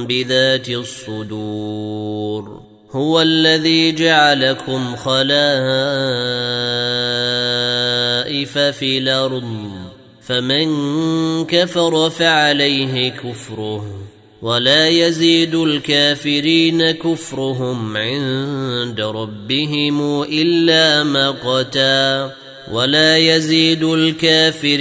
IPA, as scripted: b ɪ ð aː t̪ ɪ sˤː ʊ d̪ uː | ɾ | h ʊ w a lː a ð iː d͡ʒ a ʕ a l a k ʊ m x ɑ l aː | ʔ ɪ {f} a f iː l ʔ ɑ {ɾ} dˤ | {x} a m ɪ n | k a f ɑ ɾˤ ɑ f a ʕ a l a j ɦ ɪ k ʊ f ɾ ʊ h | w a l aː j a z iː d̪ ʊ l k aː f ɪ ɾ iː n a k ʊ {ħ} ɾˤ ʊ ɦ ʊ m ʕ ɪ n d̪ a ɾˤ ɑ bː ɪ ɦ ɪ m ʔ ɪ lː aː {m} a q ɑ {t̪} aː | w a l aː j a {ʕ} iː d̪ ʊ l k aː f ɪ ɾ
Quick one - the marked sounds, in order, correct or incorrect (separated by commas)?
correct, correct, incorrect, incorrect, correct, correct, incorrect